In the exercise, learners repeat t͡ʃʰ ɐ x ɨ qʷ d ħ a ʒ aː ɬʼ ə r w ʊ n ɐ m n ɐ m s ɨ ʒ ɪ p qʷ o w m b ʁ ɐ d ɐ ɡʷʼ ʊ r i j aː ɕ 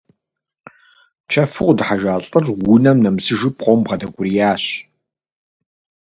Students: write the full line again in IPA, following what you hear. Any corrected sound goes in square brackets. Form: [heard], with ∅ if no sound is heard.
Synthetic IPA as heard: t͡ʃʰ ɐ [f] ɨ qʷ d ħ a ʒ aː ɬʼ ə r w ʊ n ɐ m n ɐ m s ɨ ʒ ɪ p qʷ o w m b ʁ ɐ d ɐ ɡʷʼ ʊ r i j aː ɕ